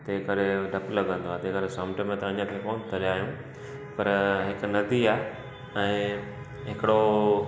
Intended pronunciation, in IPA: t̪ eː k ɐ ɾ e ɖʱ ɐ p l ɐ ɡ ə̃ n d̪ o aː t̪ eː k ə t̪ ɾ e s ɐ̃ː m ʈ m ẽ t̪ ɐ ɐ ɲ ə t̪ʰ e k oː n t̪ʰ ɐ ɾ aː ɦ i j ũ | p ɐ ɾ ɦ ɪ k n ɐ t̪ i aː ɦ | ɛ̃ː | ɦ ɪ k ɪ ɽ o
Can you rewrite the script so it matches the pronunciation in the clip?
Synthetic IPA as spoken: t̪ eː k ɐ ɾ e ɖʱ ɐ p l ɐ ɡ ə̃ n d̪ o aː t̪ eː k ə ɾ e s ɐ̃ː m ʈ m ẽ t̪ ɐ ɐ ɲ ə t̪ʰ e k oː n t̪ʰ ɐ ɾ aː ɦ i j ũ | p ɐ ɾ ɦ ɪ k n ɐ d̪ i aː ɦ | ɛ̃ː | ɦ ɪ k ɪ ɽ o